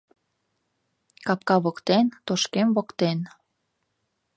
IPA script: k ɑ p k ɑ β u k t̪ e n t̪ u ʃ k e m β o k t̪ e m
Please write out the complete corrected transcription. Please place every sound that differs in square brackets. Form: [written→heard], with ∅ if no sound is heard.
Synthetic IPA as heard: k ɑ p k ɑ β [u→o] k t̪ e n t̪ [u→o] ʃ k e m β o k t̪ e [m→n]